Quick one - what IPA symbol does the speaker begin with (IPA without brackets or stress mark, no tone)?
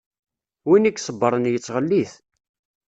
w